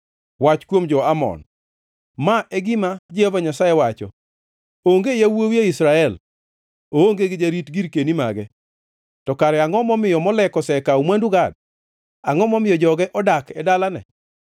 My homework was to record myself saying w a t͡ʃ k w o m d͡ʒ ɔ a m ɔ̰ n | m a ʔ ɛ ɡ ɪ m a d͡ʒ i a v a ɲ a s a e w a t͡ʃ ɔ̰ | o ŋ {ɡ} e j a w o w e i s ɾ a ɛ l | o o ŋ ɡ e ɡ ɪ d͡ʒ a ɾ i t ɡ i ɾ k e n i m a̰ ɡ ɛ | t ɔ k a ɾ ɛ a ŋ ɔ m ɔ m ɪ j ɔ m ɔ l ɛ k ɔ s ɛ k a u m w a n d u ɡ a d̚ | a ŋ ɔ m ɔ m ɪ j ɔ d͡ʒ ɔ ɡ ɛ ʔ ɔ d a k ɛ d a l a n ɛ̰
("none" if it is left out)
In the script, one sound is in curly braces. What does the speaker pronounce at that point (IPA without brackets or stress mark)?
ɡ